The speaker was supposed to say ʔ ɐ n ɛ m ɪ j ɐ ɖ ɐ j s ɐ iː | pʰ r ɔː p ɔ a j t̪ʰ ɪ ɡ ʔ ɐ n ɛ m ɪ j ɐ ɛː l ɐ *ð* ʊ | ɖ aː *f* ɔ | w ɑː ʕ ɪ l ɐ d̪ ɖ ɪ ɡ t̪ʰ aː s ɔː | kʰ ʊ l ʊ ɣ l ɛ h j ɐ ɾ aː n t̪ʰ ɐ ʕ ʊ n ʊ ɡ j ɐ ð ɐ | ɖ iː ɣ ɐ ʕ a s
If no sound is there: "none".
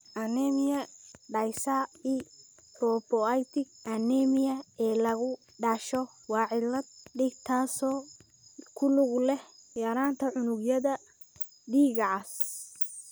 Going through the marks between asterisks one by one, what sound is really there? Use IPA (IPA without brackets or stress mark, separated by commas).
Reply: ɣ, ʃ